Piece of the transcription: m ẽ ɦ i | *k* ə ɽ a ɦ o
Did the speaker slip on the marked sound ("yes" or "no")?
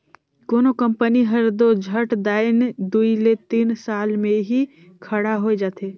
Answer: yes